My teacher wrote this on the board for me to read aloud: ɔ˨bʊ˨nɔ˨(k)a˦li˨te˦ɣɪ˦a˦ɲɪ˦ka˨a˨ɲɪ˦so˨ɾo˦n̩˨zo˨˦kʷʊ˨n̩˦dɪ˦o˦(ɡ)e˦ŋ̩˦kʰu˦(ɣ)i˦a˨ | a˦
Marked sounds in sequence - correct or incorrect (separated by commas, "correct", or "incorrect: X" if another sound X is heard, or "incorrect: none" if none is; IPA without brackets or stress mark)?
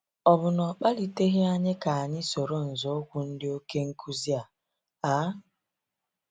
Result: incorrect: k͡p, incorrect: k, incorrect: z